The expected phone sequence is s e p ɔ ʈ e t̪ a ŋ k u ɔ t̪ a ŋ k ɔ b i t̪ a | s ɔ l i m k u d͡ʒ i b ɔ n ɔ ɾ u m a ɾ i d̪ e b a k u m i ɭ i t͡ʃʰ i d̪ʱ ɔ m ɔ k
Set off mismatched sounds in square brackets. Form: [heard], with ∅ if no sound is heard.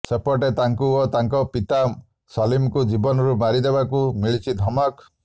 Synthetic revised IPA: s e p ɔ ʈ e t̪ a ŋ k u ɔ t̪ a ŋ k ɔ [p] i t̪ a | s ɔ l i m k u d͡ʒ i b ɔ n ɔ ɾ u m a ɾ i d̪ e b a k u m i ɭ i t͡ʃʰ i d̪ʱ ɔ m ɔ k